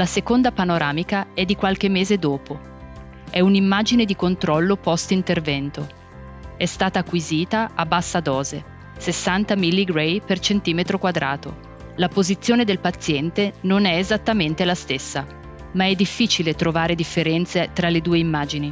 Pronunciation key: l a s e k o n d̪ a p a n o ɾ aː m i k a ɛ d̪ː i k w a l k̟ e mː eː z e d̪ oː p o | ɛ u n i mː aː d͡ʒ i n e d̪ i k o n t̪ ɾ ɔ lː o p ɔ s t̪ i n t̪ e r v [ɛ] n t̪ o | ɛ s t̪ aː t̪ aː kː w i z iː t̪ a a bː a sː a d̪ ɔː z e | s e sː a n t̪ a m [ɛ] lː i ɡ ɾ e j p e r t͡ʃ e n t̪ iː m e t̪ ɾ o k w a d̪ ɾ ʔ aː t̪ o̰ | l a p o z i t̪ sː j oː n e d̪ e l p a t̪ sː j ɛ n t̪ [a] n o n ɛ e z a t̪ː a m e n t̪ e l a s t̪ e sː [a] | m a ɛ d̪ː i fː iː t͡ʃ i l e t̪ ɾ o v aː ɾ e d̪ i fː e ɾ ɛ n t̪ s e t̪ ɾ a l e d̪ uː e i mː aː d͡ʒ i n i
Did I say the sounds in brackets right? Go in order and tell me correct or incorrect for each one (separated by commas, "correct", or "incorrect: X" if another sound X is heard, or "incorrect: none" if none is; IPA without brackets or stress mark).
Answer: correct, incorrect: i, incorrect: e, correct